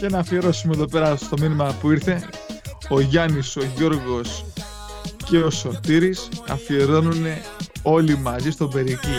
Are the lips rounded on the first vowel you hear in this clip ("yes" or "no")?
no